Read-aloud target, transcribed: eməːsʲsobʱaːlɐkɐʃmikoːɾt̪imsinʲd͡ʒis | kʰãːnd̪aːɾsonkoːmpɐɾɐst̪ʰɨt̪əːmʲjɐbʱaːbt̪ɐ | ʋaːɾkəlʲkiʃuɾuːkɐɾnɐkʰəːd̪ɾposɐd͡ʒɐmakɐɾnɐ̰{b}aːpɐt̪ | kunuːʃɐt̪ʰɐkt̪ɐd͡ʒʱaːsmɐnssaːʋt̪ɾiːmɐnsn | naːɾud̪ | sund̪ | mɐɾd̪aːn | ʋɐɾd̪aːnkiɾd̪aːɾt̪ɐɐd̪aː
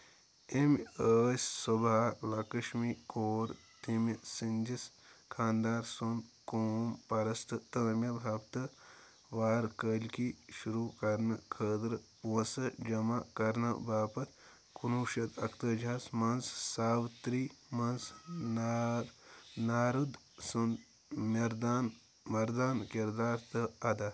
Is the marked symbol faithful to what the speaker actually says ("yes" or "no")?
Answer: yes